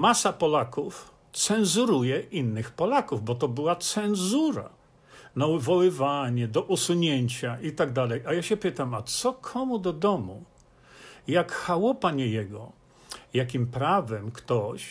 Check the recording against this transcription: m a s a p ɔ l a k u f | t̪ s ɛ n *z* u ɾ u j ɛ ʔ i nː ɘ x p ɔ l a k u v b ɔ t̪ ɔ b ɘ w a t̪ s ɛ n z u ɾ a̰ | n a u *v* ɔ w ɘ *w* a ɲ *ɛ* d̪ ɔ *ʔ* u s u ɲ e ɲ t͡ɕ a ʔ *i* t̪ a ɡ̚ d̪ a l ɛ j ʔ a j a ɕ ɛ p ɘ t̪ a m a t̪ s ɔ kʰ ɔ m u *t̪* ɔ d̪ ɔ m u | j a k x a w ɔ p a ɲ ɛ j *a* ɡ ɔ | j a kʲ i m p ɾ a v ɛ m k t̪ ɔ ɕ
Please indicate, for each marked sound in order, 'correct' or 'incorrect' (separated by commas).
correct, correct, incorrect, correct, correct, correct, incorrect, incorrect